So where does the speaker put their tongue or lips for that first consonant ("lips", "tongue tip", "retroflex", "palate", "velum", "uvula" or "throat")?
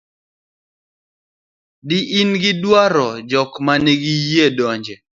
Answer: tongue tip